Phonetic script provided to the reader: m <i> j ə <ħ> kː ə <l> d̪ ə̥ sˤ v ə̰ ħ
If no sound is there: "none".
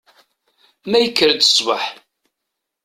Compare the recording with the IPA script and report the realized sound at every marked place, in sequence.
æ, none, ɾ

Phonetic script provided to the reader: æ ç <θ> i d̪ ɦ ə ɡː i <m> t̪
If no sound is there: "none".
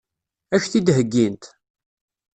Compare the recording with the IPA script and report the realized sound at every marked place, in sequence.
θ, n

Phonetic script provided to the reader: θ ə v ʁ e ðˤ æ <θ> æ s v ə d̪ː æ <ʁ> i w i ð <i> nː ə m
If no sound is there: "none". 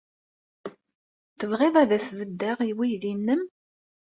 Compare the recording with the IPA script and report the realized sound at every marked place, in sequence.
ð, ʁ, i

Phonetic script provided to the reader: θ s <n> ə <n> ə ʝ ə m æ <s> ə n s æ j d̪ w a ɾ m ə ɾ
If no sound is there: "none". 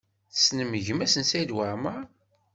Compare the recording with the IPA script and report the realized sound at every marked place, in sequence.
n, m, s

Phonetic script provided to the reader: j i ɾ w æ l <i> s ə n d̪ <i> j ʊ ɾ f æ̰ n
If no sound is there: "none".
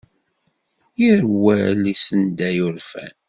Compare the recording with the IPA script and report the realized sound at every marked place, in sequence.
i, æ

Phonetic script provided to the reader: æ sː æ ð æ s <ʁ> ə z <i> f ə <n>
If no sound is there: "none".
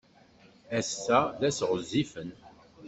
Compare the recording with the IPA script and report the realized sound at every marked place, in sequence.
ʁ, i, n

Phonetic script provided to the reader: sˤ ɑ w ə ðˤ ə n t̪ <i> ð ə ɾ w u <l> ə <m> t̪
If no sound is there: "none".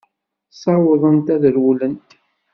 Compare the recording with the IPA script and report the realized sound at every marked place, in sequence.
æ, l, n

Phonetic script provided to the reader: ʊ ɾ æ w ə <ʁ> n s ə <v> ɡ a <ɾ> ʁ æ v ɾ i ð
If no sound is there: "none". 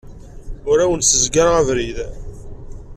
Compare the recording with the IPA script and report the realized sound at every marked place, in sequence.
none, z, ɾ

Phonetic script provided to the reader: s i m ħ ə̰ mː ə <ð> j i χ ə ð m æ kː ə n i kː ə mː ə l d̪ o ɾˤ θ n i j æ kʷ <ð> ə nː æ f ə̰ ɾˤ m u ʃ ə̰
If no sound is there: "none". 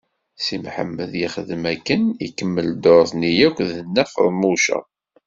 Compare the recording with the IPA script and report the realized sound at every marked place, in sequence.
ð, ð

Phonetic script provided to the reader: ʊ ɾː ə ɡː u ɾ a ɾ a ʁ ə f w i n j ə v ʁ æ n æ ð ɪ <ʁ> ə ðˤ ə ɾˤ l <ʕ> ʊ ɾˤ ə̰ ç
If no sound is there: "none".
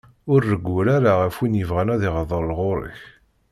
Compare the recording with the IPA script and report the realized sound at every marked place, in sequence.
ʁ, ʁ

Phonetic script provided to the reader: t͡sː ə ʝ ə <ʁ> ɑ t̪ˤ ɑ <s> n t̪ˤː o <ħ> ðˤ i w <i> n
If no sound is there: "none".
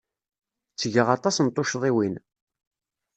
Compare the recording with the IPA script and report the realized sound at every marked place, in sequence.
ʁ, s, ʃ, i

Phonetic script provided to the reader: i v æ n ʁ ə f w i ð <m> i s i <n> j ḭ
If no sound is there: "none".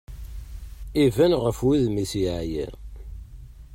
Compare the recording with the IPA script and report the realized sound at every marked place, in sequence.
m, none

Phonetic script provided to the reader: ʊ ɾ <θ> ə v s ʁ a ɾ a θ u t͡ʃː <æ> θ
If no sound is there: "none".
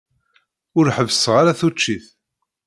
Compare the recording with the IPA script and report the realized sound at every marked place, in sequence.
ħ, i

